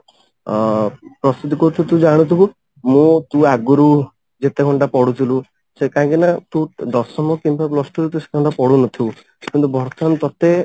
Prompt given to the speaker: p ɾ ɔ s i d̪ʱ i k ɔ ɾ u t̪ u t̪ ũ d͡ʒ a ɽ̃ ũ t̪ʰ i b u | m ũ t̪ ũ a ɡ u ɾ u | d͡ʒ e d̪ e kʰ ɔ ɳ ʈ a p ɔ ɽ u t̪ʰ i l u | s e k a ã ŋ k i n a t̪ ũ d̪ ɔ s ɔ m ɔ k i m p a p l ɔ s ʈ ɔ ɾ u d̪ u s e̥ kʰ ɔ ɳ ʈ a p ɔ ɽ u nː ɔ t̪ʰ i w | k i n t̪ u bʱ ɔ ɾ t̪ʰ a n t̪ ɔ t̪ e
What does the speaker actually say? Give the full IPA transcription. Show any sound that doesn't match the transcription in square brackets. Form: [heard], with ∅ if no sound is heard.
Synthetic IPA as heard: p ɾ ɔ s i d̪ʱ i k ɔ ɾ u t̪ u t̪ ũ d͡ʒ a ɽ̃ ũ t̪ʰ i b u | m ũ t̪ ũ a ɡ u ɾ u | d͡ʒ e [t̪] e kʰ ɔ ɳ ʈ a p ɔ ɽ u t̪ʰ i l u | s e k a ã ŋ k i n a t̪ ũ d̪ ɔ s ɔ m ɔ k i m p a p l ɔ s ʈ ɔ ɾ u [t̪] u s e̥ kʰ ɔ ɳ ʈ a p ɔ ɽ u [n] ɔ t̪ʰ i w | k i n t̪ u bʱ ɔ ɾ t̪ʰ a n t̪ ɔ t̪ e